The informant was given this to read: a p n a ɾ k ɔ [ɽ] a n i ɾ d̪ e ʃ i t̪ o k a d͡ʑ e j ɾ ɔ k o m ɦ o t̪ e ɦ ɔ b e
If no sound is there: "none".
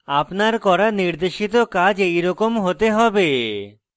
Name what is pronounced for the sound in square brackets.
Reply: ɾ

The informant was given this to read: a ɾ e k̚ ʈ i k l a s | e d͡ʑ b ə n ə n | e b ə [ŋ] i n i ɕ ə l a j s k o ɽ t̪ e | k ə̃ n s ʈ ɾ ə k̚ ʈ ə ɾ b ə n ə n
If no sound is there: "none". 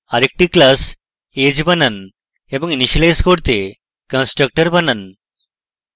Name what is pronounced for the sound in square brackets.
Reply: ŋ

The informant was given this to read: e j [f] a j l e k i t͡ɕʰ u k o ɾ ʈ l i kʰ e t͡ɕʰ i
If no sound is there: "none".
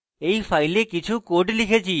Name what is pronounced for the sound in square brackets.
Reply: f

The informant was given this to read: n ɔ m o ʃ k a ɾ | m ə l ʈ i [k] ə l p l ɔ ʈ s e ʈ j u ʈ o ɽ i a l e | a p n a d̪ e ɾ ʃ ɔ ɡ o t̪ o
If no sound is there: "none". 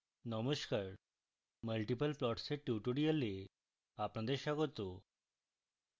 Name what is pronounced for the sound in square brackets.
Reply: p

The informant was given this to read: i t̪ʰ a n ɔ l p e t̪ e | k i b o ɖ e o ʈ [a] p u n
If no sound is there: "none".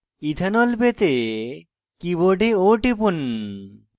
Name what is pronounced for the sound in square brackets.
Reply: i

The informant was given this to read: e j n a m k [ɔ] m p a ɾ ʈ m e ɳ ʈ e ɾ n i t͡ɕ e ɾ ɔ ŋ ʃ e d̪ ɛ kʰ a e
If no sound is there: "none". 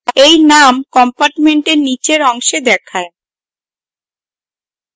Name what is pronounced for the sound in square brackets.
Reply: ɔ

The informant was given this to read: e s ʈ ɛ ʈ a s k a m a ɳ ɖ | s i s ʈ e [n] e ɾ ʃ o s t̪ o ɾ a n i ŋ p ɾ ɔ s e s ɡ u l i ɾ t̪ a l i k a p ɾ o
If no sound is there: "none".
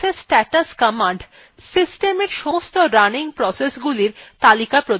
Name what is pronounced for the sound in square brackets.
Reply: m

